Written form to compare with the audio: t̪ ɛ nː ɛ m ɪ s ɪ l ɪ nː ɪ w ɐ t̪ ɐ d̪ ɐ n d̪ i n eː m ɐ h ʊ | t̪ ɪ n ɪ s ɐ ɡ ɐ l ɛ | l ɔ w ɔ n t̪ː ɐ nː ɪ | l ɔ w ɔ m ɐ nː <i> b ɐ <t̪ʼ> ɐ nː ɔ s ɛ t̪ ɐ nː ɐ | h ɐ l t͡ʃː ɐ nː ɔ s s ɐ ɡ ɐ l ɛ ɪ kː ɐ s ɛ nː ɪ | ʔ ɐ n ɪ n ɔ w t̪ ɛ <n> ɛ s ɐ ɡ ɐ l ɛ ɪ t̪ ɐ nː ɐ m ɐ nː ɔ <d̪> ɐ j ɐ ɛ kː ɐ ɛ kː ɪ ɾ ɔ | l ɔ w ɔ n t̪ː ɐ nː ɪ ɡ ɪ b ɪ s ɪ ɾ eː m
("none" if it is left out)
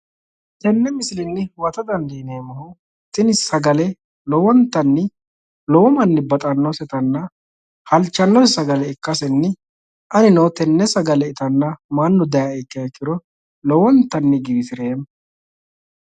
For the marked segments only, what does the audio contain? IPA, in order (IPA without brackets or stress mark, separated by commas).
ɪ, t̪ʼ, nː, d̪